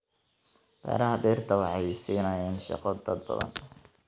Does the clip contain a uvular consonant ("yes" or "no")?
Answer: yes